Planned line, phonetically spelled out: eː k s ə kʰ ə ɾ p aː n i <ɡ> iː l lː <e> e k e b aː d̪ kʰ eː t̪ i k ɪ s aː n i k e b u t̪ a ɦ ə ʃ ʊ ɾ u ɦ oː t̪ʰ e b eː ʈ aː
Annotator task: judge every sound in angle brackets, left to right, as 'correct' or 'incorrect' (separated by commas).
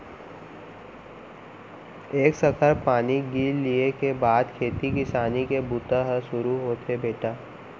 correct, incorrect